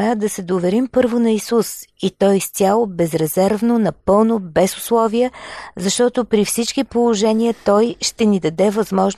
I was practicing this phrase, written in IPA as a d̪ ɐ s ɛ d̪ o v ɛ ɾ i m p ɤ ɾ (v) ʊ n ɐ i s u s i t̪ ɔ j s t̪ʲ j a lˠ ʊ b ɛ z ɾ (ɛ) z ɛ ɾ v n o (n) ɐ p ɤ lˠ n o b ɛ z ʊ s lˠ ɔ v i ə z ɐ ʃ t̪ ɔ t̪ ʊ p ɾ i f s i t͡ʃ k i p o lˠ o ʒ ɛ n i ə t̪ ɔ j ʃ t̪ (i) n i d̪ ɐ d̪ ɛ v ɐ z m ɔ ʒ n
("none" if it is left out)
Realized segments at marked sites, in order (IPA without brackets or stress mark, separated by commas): v, ɛ, n, ɛ